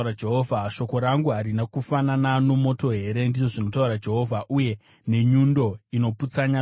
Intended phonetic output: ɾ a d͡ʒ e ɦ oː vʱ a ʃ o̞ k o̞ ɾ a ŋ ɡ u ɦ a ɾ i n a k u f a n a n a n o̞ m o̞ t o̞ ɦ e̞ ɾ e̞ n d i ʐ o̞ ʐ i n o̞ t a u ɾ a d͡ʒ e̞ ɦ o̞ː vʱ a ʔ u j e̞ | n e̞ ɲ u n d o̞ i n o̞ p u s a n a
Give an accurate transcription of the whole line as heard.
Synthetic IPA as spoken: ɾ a d͡ʒ e ɦ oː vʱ a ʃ o̞ k o̞ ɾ a ŋ ɡ u ɦ a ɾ i n a k u f a n a n a n o̞ m o̞ t o̞ ɦ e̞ ɾ e̞ n d i ʐ o̞ ʐ i n o̞ t a u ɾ a d͡ʒ e̞ ɦ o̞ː vʱ a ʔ u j e̞ | n e̞ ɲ u n d o̞ i n o̞ p u t͡s a ɲ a